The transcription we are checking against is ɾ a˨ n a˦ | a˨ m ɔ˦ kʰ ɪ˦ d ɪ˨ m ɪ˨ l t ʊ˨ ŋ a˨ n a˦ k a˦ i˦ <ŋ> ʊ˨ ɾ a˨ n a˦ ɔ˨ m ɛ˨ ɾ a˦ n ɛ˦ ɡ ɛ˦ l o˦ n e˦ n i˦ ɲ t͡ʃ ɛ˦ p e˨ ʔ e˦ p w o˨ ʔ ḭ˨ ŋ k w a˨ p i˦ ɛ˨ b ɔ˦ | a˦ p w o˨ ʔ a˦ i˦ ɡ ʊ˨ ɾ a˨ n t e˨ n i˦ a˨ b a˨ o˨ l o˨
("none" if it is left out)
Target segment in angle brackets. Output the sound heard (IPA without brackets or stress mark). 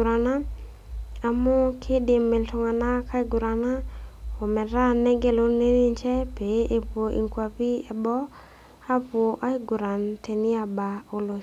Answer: ɡ